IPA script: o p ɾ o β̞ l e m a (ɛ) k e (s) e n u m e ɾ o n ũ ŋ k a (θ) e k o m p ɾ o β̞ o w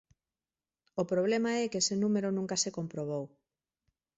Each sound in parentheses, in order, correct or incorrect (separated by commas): correct, correct, incorrect